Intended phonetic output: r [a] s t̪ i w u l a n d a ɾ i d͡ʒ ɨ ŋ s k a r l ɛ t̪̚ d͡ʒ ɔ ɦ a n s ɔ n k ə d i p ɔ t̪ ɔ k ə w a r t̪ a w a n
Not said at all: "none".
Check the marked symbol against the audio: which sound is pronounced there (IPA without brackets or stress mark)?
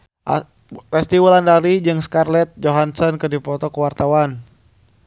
ɛ